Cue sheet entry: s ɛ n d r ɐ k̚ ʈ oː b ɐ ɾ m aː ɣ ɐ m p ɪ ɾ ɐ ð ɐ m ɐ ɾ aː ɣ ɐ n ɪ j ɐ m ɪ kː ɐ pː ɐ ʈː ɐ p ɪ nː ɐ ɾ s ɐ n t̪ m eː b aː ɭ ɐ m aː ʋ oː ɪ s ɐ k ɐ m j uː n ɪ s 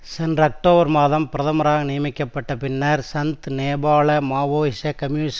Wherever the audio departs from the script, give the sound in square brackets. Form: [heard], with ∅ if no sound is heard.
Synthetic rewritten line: s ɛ n d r ɐ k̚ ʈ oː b ɐ ɾ m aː [ð] ɐ m p ɪ ɾ ɐ ð ɐ m ɐ ɾ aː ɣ ɐ n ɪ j ɐ m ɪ kː ɐ pː ɐ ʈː ɐ p ɪ nː ɐ ɾ s ɐ n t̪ [n] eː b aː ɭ ɐ m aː ʋ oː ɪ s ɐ k ɐ m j uː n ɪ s

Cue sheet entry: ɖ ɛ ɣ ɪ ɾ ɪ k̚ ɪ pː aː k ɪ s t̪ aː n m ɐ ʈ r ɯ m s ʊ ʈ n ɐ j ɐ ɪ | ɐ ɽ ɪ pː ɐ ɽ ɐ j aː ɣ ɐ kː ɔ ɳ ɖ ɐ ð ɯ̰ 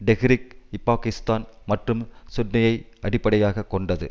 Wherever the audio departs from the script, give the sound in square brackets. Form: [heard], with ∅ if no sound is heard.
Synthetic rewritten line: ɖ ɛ ɣ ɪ ɾ ɪ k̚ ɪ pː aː k ɪ s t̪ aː n m ɐ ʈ r ɯ m s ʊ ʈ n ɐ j ɐ ɪ | ɐ ɽ ɪ pː ɐ ɽ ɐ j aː ɣ ɐ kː ɔ ɳ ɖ ɐ ð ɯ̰

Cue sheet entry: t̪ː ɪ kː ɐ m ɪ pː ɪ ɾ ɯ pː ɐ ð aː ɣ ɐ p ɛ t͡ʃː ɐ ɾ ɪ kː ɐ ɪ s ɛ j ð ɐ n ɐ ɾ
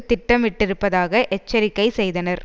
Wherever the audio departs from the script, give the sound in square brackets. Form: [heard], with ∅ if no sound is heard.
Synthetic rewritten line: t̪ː ɪ [ʈː] ɐ m ɪ [ʈː] ɪ ɾ ɯ pː ɐ ð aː ɣ ɐ [ʔ] ɛ t͡ʃː ɐ ɾ ɪ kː ɐ ɪ s ɛ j ð ɐ n ɐ ɾ

